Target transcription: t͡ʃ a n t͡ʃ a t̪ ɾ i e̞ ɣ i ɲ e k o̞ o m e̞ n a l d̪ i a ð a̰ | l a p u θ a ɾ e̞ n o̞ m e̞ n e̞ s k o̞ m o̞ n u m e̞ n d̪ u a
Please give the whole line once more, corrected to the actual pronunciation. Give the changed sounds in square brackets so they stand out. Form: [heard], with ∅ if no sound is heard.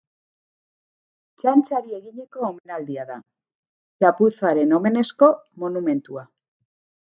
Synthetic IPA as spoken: t͡ʃ a n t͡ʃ a [∅] ɾ i e̞ ɣ i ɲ e k o̞ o m e̞ n a l d̪ i a ð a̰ | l a p u θ a ɾ e̞ n o̞ m e̞ n e̞ s k o̞ m o̞ n u m e̞ n [t̪] u a